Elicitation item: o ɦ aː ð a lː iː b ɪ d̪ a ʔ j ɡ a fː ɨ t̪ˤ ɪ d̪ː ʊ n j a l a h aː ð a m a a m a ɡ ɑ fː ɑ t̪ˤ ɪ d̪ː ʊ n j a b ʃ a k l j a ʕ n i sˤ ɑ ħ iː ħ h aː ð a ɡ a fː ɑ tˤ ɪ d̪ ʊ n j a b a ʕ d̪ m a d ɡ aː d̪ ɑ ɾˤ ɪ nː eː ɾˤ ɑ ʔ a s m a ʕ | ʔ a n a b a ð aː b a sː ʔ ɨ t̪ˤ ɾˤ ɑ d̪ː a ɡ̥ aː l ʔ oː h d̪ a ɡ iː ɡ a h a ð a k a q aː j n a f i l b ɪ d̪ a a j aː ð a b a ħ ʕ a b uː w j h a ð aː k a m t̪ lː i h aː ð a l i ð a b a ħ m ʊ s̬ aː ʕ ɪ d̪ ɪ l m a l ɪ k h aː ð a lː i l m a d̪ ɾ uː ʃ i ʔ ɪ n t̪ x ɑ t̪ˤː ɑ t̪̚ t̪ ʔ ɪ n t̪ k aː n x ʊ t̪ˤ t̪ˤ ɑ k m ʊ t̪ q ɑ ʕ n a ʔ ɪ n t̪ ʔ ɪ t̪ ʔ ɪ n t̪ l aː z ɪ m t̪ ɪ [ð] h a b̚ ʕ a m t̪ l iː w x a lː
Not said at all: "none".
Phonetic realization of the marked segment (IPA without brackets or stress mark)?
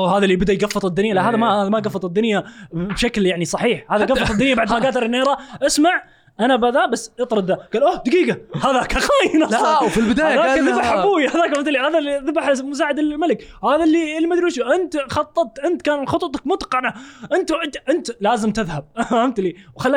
ð